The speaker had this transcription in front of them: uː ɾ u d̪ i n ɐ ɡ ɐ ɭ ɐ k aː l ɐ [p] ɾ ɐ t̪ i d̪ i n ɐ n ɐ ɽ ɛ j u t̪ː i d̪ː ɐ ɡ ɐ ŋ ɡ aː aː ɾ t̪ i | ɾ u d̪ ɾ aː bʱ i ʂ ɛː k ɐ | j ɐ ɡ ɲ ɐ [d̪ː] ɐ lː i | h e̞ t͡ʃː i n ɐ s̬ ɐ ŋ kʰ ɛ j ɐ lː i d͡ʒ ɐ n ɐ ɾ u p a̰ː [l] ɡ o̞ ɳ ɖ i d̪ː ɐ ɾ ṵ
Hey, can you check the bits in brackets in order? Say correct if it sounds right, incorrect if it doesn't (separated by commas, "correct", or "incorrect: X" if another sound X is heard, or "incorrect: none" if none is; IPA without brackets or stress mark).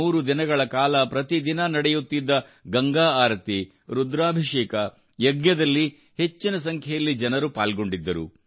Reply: correct, incorrect: d̪, correct